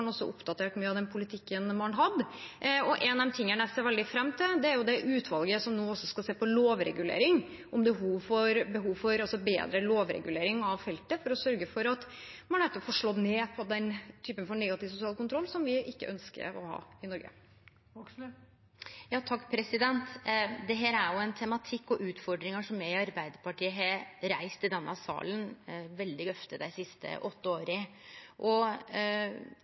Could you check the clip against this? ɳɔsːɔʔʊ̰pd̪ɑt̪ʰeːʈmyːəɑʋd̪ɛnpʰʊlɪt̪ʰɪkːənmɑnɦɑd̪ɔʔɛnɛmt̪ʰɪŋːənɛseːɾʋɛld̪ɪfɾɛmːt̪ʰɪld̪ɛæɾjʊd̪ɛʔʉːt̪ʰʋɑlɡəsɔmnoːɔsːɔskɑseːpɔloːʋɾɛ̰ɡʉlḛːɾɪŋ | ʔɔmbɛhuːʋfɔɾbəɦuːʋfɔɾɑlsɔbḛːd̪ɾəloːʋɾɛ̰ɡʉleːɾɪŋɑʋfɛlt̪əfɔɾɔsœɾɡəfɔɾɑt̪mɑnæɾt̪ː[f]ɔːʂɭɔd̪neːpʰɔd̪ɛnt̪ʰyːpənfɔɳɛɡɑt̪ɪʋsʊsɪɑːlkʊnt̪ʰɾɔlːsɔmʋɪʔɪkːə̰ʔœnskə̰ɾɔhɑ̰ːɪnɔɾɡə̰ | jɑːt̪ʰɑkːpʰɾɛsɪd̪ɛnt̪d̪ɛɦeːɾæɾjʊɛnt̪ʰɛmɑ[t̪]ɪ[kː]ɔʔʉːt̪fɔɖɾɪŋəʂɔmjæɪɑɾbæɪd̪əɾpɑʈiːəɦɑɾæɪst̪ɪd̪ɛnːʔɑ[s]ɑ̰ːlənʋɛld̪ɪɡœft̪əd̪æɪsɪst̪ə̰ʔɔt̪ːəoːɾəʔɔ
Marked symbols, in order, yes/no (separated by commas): yes, no, yes, yes